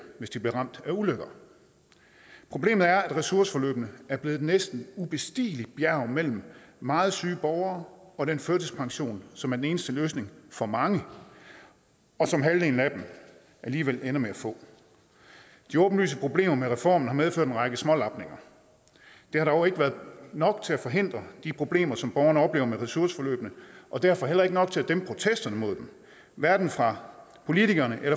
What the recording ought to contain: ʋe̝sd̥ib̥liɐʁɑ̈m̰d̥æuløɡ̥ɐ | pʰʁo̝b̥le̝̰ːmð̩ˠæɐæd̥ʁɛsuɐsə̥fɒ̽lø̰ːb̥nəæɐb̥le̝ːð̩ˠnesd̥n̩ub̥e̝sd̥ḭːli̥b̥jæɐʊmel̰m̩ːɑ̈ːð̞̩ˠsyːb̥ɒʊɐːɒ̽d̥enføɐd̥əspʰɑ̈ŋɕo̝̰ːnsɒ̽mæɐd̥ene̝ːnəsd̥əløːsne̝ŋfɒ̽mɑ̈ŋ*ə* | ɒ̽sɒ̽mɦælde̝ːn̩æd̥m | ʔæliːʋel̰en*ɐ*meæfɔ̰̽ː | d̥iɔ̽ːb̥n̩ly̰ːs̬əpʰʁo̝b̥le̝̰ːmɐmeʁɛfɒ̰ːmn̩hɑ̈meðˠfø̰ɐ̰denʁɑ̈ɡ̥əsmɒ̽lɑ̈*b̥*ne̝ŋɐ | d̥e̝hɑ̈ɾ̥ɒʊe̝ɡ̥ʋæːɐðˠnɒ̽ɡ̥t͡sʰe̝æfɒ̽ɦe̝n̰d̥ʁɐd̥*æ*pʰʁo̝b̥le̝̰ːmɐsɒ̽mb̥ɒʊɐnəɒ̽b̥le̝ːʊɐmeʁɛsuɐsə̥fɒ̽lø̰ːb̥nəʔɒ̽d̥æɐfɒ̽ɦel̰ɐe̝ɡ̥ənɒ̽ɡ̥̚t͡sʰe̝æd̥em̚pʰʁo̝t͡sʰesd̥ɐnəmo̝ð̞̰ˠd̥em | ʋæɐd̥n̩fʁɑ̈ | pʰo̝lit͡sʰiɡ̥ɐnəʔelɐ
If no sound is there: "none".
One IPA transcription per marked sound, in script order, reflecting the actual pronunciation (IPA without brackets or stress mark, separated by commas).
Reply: ə, ɐ, b̥, i